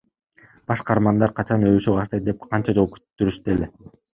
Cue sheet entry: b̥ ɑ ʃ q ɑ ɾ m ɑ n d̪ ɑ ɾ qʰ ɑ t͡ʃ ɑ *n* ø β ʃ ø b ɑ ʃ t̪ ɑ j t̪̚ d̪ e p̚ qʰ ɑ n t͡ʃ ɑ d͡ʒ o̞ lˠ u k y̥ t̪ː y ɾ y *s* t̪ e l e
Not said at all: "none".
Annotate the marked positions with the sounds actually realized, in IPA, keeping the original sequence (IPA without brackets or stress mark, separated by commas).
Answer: n, ʃ